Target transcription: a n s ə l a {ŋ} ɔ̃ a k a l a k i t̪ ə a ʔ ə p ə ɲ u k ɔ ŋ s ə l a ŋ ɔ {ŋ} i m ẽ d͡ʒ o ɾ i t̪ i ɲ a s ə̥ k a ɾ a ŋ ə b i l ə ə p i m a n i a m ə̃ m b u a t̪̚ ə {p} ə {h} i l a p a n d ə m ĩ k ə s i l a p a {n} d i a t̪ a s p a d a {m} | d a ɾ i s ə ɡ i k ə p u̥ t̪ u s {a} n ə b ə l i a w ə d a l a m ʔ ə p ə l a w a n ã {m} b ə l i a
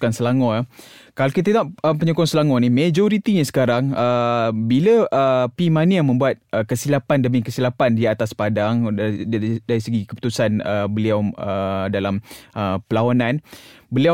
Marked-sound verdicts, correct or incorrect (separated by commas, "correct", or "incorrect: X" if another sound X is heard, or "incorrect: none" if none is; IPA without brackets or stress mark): correct, incorrect: n, incorrect: k, incorrect: s, correct, incorrect: ŋ, correct, incorrect: n